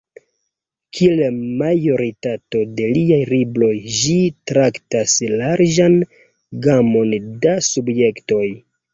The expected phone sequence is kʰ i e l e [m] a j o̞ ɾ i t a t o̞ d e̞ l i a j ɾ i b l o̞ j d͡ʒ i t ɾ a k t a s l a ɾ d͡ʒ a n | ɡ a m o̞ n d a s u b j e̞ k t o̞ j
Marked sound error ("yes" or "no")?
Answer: no